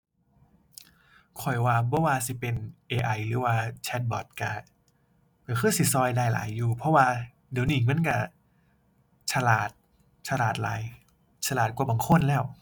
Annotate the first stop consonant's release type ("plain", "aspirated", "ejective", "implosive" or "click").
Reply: aspirated